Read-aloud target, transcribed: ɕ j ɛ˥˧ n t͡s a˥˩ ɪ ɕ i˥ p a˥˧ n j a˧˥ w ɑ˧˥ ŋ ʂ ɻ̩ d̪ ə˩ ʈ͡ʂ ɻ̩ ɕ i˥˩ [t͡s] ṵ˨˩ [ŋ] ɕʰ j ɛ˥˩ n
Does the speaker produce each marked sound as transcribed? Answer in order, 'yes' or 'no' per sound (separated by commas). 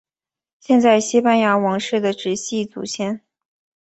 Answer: yes, no